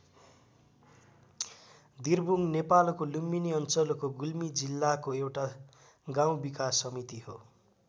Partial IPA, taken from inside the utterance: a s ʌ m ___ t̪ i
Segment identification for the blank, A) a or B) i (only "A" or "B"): B